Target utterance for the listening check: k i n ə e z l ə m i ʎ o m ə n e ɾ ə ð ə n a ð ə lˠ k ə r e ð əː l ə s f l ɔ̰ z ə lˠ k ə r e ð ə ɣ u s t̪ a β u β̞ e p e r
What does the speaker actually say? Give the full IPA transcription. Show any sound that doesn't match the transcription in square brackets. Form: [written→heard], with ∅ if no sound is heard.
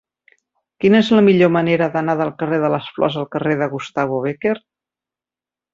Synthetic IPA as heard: k i n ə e z l ə m i ʎ o m ə n e ɾ ə ð ə n a ð ə lˠ k ə r e ð [əː→ə] l ə s f l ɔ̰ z ə lˠ k ə r e ð ə ɣ u s t̪ a β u β̞ e [p→k] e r